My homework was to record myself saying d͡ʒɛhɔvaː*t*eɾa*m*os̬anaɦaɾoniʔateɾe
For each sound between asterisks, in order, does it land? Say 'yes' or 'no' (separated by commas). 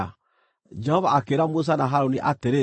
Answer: no, yes